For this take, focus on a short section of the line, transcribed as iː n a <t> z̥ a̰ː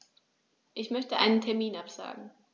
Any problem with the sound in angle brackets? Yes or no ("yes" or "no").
yes